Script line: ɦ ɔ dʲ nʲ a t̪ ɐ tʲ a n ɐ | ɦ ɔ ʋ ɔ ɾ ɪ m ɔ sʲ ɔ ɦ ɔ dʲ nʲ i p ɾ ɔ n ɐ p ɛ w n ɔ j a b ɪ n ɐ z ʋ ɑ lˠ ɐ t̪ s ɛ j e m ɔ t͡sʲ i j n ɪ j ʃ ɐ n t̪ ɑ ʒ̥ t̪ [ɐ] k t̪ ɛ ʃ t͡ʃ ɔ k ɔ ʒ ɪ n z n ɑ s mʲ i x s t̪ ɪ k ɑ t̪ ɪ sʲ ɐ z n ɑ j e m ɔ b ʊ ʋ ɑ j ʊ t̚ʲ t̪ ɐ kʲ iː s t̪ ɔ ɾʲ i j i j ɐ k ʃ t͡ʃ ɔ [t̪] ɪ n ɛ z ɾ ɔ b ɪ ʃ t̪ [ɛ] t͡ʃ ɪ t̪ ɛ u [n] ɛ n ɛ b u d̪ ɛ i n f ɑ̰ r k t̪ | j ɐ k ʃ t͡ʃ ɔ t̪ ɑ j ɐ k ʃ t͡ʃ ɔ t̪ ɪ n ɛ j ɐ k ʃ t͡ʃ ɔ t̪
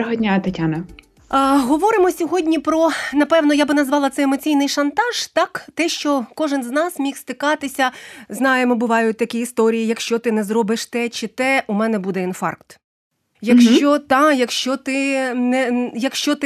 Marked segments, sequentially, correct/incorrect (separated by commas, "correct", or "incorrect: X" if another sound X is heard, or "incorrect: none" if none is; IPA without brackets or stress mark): incorrect: ɑ, correct, correct, incorrect: m